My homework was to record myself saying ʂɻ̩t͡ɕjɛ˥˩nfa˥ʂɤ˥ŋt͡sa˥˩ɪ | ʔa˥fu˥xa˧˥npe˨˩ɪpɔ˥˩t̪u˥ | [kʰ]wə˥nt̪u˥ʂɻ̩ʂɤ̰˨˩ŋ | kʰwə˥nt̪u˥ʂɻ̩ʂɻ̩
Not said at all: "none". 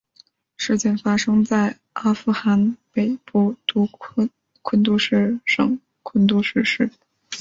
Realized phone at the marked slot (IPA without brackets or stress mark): kʰ